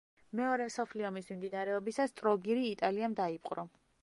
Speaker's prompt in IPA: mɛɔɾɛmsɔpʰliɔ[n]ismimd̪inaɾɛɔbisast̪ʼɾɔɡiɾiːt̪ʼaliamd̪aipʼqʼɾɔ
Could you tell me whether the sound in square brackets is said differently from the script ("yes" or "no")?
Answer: yes